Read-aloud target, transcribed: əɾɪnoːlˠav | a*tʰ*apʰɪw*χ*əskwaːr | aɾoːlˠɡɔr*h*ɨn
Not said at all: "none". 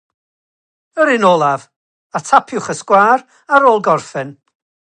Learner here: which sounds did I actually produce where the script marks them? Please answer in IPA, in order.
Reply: tʰ, χ, f

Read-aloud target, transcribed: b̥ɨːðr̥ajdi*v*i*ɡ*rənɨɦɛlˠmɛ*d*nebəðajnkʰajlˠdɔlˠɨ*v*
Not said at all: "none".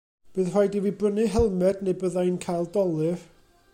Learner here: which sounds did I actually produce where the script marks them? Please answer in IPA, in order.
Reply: v, b, d, v

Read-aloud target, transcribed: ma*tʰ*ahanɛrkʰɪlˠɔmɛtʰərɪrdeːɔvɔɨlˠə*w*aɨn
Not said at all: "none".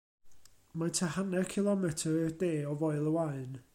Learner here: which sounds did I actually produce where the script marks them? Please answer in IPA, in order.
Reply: tʰ, w

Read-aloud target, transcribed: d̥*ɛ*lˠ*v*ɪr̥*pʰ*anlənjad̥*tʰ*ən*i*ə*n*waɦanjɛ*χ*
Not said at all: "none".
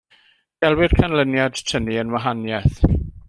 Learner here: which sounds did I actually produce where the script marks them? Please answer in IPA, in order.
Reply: ɛ, w, kʰ, tʰ, i, n, θ

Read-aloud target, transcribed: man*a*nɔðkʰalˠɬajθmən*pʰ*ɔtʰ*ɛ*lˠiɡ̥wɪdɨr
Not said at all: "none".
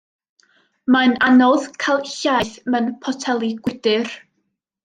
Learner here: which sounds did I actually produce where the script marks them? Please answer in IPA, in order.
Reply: a, pʰ, ɛ

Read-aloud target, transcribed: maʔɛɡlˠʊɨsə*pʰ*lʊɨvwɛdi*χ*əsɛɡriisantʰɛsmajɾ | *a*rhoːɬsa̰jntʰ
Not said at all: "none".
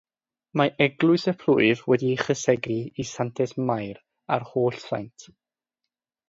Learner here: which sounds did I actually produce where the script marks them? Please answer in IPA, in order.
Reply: pʰ, χ, a

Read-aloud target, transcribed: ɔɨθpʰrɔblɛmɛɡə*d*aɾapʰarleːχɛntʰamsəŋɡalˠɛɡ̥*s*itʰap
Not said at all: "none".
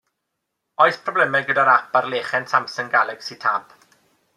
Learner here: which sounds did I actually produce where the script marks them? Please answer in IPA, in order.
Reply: d, s

